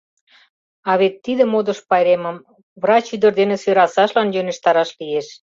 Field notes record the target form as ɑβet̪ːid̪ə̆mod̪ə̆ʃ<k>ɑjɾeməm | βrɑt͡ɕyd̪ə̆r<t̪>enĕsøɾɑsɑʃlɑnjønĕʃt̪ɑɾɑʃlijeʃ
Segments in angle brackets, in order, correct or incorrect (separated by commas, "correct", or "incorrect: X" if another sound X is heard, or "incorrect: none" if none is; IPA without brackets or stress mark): incorrect: p, incorrect: d̪